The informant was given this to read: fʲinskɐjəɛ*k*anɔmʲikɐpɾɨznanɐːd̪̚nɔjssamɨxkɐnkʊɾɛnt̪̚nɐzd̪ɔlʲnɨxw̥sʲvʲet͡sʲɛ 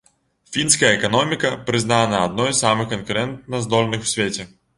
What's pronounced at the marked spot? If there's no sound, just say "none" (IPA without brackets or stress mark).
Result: k